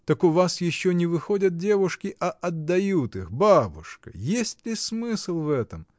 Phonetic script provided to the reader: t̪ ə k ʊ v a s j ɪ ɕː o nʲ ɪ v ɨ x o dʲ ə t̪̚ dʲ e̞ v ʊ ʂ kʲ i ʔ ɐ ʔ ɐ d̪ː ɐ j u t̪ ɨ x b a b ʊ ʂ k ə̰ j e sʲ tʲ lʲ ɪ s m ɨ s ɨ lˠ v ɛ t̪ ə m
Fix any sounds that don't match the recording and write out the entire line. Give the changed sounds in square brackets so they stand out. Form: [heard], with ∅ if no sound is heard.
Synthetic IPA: t̪ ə k ʊ v a s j ɪ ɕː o nʲ ɪ v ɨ x o dʲ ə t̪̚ dʲ e̞ v ʊ ʂ kʲ [ɪ] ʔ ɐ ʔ ɐ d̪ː ɐ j u t̪ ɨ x b a b ʊ ʂ k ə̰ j e sʲ tʲ lʲ ɪ s m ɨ s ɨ lˠ v ɛ t̪ ə m